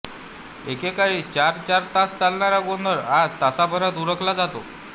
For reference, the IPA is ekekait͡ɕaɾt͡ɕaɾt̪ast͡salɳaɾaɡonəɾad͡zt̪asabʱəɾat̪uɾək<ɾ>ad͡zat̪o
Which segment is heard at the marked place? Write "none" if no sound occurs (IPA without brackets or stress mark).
l